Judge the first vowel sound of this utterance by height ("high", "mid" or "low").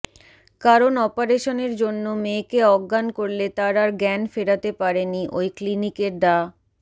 low